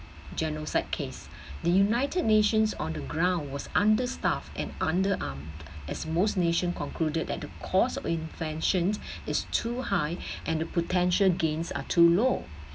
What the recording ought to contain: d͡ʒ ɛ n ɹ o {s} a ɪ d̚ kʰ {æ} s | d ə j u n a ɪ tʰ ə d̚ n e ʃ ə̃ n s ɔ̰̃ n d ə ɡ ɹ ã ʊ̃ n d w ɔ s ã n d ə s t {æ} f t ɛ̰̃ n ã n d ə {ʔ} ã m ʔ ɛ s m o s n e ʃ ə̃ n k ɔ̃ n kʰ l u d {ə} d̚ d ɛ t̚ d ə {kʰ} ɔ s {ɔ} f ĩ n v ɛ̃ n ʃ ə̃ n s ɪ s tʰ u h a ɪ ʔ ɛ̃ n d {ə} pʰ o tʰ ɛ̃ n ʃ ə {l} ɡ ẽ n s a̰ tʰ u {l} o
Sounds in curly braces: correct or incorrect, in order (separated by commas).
correct, incorrect, incorrect, correct, correct, correct, correct, correct, correct, correct